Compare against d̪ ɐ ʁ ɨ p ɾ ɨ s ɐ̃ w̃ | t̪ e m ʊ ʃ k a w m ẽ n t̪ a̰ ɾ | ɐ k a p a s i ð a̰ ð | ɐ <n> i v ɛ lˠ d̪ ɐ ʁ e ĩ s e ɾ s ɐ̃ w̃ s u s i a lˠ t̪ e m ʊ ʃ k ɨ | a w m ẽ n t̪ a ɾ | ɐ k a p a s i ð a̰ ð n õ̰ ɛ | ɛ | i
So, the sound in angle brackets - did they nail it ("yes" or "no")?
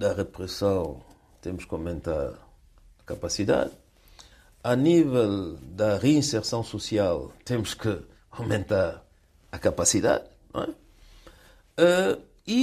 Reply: yes